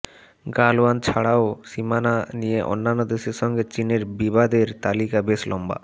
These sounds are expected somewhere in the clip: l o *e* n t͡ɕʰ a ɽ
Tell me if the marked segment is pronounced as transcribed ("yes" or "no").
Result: no